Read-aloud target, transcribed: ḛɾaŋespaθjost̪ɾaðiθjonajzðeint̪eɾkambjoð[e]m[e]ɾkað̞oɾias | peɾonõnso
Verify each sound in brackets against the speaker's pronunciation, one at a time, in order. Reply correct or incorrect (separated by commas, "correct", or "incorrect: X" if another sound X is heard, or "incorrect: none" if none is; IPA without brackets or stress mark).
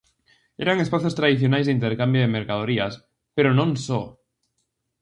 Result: correct, correct